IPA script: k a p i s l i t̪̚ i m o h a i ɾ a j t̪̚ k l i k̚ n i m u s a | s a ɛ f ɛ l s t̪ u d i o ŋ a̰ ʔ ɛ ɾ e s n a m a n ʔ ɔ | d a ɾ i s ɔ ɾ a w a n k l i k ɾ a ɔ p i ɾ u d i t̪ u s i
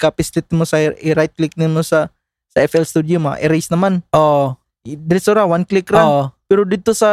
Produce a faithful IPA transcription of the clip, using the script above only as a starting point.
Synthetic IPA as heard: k a p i s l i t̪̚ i m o s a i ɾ a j t̪̚ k l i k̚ n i m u s a | s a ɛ f ɛ l s t̪ u d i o m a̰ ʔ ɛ ɾ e s n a m a n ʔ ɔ | d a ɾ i s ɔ ɾ a w a n k l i k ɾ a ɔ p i ɾ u d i t̪ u s a